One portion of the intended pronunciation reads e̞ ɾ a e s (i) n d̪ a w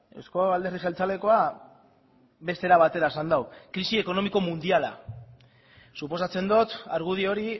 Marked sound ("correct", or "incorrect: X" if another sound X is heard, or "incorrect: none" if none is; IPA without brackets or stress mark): incorrect: a